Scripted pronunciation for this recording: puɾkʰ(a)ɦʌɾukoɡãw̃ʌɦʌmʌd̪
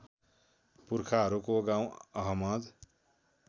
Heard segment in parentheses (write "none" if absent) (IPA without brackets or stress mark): a